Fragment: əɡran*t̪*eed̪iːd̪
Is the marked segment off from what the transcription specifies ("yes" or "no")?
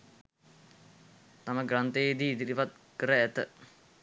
no